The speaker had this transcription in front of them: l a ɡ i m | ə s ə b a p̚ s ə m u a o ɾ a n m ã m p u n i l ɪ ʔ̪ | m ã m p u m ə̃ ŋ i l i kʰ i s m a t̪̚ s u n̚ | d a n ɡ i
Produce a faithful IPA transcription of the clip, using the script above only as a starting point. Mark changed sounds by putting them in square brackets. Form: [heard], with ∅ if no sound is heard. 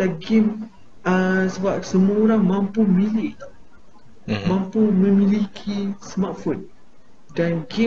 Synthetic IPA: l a ɡ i m | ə s ə b a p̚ s ə m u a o ɾ a [ŋ] m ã m p u [m] i l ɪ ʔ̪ | m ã m p u m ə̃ [m] i l i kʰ i s m a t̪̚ [f] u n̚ | d a n ɡ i